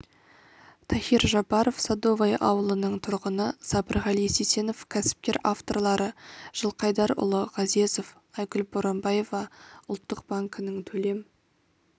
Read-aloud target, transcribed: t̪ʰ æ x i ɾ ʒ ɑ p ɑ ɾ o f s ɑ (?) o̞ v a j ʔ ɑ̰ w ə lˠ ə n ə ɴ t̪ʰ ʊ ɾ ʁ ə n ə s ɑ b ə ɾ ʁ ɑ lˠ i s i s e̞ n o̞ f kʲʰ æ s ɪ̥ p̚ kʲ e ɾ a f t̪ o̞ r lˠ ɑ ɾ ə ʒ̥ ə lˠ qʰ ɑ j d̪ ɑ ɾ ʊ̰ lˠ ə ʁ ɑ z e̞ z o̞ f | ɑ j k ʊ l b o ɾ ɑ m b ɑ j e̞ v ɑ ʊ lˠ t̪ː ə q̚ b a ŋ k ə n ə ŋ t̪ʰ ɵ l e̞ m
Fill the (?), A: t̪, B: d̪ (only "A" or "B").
B